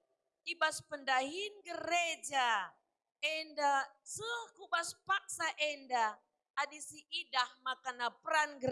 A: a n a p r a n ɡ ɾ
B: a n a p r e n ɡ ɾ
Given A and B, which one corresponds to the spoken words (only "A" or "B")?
A